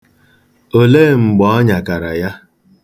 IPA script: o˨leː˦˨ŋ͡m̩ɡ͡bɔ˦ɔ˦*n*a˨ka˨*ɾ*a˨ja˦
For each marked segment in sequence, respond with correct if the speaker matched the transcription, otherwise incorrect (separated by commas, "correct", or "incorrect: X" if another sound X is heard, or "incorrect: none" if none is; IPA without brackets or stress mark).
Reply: incorrect: ɲ, correct